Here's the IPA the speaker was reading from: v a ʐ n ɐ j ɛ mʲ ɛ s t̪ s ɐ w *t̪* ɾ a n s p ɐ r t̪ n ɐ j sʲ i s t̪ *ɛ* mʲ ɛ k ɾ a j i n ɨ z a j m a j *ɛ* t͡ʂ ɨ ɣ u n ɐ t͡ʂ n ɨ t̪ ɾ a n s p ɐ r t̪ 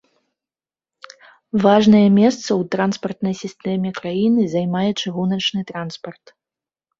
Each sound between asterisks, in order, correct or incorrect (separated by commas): correct, correct, correct